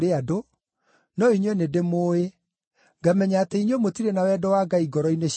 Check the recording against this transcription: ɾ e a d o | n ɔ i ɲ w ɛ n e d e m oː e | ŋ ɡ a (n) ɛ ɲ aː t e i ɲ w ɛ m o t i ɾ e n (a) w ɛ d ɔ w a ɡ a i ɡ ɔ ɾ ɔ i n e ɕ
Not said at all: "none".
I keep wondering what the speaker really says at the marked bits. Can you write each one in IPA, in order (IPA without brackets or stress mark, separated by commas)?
m, a